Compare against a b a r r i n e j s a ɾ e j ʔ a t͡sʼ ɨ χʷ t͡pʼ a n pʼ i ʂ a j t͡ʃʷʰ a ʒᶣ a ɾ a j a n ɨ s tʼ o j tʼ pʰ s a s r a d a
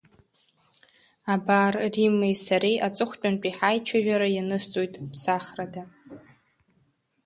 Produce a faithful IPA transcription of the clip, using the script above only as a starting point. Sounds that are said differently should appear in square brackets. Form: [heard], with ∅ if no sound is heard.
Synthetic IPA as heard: a b a r r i [m] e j s a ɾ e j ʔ a t͡sʼ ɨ χʷ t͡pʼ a n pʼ i [ħ] a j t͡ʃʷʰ a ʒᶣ a ɾ a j a n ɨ s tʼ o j tʼ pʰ s a [χ] r a d a